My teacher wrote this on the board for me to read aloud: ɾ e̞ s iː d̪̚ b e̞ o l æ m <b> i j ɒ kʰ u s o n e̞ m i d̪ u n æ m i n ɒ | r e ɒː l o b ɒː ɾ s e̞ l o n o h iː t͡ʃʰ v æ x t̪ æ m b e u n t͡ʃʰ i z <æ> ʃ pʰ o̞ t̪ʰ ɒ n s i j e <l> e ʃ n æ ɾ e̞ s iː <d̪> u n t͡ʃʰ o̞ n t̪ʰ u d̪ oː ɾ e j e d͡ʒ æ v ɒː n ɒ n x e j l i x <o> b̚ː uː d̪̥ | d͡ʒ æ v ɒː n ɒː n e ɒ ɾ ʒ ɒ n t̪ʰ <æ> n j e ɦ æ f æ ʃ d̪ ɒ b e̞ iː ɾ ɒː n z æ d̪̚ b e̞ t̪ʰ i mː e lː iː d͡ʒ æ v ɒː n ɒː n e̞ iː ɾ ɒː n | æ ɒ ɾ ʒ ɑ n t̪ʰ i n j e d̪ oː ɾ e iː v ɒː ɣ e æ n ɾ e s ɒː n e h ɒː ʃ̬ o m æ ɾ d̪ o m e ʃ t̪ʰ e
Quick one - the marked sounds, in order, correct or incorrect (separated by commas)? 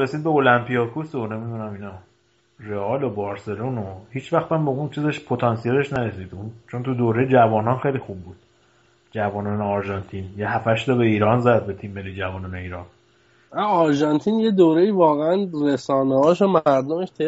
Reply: incorrect, incorrect, correct, correct, incorrect, incorrect